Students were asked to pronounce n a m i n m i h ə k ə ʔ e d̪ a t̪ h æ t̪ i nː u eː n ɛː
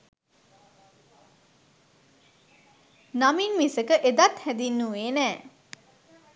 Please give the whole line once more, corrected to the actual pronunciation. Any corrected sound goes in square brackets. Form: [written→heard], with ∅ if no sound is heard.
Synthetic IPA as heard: n a m i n m i [h→s] ə k ə ʔ e d̪ a t̪ h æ [t̪→d̪] i nː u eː n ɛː